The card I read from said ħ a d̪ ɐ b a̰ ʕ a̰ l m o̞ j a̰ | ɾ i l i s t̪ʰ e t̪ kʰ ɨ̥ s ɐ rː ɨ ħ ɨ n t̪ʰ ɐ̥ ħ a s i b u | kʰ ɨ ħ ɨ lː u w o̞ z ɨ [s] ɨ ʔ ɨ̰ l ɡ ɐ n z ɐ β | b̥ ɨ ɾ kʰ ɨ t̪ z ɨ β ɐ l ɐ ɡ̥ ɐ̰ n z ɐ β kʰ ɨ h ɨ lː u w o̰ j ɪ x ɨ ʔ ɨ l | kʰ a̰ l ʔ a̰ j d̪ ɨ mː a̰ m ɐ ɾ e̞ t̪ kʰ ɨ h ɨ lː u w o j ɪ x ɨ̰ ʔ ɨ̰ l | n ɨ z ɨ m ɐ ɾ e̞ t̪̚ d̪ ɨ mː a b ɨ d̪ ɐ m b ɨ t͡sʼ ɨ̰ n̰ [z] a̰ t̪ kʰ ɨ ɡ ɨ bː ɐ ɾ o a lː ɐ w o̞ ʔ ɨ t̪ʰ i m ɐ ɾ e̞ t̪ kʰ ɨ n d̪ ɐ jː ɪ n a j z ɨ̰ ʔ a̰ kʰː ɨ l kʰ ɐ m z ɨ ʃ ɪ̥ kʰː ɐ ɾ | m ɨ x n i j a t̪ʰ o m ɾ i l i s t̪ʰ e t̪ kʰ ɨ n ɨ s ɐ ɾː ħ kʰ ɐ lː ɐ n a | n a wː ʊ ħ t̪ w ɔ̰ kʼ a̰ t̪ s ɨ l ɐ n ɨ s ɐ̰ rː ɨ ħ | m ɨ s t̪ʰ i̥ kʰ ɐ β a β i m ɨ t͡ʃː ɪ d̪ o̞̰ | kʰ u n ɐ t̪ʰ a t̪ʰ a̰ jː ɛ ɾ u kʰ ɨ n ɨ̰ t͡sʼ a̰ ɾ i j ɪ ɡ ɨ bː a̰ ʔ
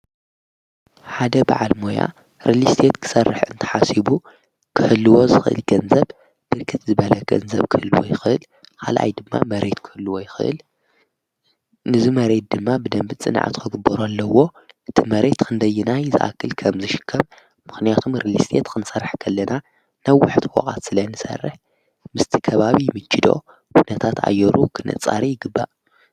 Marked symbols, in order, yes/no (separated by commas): no, no